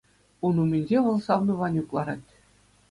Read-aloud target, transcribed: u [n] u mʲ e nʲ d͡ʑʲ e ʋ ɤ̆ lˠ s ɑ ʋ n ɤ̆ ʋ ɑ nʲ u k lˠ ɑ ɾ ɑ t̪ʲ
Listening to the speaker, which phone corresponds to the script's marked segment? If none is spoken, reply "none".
n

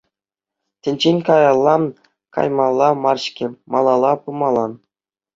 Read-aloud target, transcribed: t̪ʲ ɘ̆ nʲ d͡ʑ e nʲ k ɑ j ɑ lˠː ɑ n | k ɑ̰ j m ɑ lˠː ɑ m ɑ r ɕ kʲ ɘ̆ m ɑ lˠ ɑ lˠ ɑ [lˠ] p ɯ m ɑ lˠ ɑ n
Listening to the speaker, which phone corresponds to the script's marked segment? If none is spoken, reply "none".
none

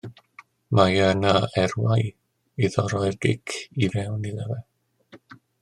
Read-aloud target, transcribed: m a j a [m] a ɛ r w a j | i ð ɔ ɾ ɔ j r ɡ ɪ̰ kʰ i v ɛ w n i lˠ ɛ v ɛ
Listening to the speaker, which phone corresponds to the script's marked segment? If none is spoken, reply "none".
n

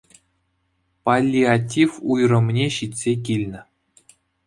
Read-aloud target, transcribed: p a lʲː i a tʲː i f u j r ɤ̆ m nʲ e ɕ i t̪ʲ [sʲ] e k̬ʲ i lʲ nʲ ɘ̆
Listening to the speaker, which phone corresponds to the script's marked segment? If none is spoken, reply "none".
sʲ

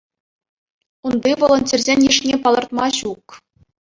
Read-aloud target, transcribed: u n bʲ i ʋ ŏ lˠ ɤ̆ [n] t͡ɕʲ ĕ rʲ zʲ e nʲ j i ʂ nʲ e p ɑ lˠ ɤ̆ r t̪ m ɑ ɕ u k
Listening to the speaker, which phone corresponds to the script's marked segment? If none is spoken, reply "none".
n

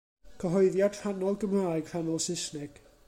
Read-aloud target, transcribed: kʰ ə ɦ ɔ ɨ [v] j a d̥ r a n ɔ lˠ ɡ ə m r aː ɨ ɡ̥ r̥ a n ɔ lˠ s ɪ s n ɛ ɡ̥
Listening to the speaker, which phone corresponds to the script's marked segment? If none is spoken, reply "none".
ð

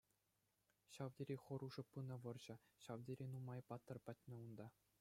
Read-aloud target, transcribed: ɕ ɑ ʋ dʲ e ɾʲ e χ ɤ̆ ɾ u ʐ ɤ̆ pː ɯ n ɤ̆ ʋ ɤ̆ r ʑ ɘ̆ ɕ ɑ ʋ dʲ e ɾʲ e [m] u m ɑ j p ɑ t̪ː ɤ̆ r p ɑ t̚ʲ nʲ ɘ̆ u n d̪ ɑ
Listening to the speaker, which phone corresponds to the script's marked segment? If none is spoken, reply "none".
n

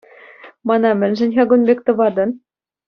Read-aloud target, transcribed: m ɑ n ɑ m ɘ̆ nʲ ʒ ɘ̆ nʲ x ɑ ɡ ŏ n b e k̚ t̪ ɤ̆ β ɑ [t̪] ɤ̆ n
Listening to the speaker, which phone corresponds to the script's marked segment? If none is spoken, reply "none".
d̪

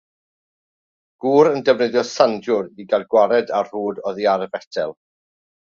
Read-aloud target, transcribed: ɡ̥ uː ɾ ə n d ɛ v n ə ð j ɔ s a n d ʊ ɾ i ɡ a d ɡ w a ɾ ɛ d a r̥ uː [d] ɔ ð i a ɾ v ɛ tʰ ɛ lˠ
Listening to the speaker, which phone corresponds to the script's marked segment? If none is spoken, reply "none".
d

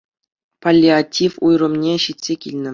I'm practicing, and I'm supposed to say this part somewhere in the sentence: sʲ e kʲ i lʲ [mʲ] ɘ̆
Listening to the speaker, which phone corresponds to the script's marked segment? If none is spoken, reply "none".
nʲ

